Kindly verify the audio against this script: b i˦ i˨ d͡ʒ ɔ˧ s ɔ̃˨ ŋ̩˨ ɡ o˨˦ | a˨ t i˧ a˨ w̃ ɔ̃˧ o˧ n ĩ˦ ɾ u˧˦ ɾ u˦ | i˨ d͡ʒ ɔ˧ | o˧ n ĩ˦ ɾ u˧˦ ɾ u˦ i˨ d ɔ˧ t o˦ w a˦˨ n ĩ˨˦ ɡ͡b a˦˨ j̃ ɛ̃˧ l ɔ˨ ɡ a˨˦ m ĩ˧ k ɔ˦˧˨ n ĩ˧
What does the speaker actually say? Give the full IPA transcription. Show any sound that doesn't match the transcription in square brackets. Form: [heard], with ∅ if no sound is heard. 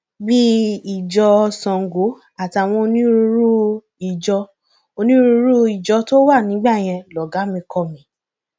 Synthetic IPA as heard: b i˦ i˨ d͡ʒ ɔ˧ s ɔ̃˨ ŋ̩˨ ɡ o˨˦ | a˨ t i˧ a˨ w̃ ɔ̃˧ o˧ n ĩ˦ ɾ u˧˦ ɾ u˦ | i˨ d͡ʒ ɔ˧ | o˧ n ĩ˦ ɾ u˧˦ ɾ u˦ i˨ [d͡ʒ] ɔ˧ t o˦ w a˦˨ n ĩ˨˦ ɡ͡b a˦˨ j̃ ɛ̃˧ l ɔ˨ ɡ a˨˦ m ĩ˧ k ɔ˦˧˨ [m] ĩ˧